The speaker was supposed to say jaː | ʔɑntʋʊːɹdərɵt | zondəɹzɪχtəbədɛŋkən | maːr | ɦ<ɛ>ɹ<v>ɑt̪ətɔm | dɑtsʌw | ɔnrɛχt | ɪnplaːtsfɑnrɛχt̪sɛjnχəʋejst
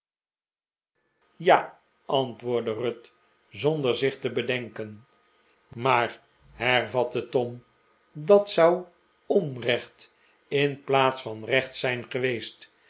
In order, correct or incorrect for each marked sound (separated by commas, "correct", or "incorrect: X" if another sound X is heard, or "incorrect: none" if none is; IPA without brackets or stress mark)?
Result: correct, correct